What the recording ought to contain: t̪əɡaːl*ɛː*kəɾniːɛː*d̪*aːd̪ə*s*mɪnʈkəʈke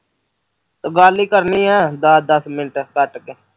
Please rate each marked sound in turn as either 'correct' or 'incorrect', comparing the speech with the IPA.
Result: incorrect, correct, correct

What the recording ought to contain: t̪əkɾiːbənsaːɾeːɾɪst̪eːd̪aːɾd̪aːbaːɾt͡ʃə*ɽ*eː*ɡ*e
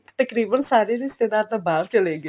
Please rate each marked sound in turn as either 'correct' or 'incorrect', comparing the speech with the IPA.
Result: incorrect, correct

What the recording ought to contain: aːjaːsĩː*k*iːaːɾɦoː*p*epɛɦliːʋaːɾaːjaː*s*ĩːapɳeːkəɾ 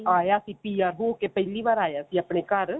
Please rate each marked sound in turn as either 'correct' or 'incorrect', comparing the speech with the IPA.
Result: incorrect, incorrect, correct

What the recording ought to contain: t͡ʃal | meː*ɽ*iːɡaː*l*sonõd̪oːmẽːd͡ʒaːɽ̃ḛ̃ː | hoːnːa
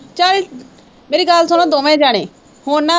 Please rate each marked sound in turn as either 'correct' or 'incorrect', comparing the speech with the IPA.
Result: incorrect, correct

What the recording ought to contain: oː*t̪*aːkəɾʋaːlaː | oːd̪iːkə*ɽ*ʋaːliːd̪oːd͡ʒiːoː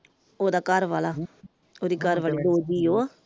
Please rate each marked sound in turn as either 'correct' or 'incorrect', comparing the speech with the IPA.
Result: incorrect, incorrect

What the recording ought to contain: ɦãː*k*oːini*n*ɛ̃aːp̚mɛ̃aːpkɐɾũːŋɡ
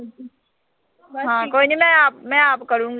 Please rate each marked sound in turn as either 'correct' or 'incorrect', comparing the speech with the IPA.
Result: correct, incorrect

